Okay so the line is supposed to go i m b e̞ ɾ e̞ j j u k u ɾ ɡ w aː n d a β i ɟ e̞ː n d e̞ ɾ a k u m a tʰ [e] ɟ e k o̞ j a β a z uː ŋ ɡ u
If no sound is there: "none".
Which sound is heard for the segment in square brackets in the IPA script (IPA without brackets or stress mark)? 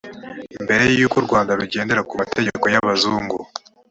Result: e